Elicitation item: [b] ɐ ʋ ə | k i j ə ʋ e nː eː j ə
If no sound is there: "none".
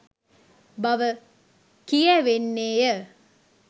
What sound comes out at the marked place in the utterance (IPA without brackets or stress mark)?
b